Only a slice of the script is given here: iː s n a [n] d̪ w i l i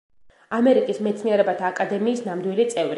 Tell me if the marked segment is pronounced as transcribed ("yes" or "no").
no